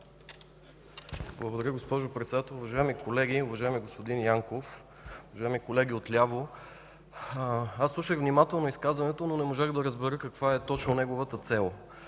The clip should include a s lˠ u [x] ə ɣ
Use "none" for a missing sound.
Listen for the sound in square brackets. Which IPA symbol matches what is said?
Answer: ʃ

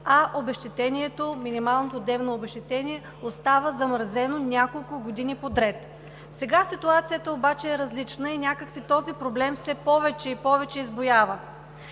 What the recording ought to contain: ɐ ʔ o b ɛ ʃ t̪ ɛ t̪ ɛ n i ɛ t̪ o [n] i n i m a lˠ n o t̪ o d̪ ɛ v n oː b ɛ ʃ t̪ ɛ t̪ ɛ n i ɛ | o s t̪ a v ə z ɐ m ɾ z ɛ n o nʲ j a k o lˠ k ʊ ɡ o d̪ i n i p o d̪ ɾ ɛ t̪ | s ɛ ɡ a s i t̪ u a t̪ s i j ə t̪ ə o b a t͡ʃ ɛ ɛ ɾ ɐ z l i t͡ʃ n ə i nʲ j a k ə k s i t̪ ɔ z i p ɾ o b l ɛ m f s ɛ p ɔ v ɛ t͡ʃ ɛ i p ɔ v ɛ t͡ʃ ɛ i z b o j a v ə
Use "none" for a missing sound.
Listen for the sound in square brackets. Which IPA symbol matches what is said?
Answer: m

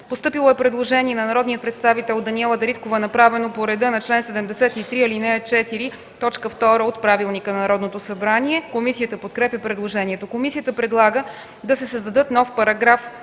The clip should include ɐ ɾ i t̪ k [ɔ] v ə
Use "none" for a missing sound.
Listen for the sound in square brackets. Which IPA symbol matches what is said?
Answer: o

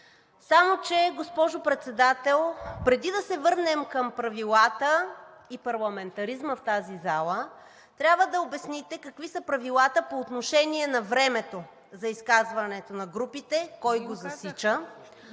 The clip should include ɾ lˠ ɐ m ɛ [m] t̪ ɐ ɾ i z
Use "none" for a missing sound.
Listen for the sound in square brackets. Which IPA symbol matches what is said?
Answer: n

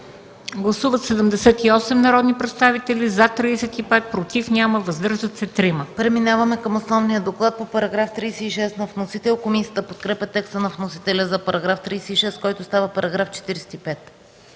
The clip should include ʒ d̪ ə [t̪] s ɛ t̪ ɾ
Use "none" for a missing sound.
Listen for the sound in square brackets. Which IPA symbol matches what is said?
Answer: t̪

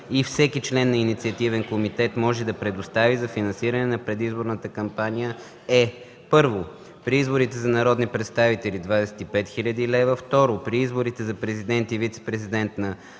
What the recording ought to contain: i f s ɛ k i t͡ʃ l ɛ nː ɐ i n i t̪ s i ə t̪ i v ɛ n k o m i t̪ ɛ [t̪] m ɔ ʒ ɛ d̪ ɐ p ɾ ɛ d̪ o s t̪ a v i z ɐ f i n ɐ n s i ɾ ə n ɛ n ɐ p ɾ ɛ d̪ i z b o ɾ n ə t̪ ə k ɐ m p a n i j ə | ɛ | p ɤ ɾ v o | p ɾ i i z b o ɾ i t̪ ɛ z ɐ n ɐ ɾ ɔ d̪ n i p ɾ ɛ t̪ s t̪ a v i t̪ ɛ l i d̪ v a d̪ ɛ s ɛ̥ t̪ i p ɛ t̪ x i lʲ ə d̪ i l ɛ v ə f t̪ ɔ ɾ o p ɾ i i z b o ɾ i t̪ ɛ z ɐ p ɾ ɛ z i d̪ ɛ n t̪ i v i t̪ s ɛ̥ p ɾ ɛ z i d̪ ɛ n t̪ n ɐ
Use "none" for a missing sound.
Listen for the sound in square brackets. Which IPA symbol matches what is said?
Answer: t̪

